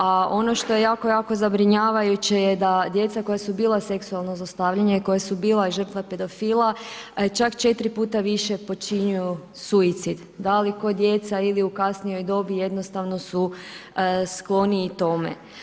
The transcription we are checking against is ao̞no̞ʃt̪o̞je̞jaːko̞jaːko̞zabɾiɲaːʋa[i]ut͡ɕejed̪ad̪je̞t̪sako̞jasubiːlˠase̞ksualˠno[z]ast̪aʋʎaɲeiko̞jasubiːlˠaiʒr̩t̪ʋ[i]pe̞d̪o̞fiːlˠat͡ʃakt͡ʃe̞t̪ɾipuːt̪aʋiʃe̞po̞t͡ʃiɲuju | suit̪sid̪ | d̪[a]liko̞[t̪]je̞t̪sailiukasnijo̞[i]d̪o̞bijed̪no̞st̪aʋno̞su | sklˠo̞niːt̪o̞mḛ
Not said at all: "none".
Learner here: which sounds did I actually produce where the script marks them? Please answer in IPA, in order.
j, z, a, a, d̪, j

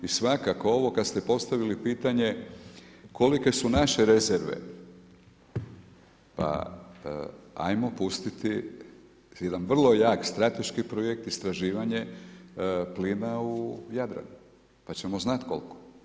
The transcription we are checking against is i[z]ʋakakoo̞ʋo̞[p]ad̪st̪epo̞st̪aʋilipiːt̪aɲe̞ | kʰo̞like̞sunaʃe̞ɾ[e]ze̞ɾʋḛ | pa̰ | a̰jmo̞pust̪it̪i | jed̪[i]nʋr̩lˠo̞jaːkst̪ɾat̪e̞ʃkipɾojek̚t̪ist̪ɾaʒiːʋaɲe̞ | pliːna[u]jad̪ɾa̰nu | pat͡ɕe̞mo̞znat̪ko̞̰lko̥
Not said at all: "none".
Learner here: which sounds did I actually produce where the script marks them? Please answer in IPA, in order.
s, k, e, a, u

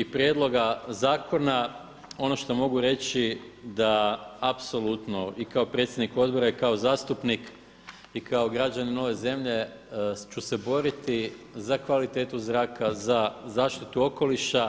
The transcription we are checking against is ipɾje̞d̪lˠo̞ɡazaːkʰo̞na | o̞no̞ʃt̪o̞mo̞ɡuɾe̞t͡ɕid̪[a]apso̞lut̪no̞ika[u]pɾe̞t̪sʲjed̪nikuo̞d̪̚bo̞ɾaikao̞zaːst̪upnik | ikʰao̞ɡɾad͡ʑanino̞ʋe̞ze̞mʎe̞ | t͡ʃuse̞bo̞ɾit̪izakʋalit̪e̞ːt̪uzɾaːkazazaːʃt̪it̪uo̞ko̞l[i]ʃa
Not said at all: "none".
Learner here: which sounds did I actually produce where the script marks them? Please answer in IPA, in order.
a, o, i

